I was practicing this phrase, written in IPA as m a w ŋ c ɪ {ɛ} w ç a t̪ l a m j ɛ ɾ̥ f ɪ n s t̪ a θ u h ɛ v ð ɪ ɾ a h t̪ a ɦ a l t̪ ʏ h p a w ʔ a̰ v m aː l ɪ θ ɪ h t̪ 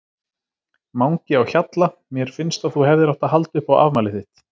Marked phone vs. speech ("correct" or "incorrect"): incorrect